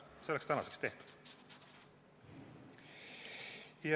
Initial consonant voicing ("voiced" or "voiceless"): voiceless